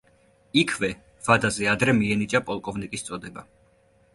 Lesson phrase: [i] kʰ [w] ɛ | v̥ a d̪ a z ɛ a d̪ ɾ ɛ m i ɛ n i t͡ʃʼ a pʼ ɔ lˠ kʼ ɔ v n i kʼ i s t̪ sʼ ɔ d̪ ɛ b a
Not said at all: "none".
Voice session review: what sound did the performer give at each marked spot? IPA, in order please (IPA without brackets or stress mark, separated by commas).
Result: i, v